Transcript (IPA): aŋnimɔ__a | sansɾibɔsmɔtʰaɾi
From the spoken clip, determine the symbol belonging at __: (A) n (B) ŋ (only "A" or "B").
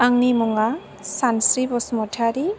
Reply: B